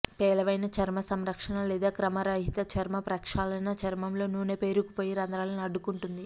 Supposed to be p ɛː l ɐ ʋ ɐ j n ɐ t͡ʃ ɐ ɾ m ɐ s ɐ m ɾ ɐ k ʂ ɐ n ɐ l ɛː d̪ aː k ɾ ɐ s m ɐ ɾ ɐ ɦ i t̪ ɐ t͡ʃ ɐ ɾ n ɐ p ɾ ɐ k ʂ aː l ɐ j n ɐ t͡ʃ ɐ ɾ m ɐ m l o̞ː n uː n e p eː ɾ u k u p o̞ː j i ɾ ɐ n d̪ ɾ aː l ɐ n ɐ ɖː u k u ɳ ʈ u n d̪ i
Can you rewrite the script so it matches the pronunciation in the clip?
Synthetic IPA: p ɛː l ɐ ʋ ɐ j n ɐ t͡ʃ ɐ ɾ m ɐ s ɐ m ɾ ɐ k ʂ ɐ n ɐ l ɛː d̪ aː k ɾ ɐ m ɐ ɾ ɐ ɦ i t̪ ɐ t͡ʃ ɐ ɾ m ɐ p ɾ ɐ k ʂ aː l ɐ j n ɐ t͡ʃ ɐ ɾ m ɐ m l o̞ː n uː n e p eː ɾ u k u p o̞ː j i ɾ ɐ n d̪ ɾ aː l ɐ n ɐ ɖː u k u ɳ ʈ u n d̪ i